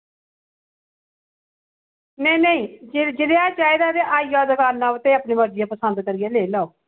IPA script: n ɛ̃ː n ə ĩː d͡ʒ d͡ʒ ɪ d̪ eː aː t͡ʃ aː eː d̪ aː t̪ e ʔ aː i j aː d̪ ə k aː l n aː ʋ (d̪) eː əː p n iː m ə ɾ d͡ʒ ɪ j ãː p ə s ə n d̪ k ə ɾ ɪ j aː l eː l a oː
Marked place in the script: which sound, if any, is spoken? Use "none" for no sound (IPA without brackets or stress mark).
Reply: t̪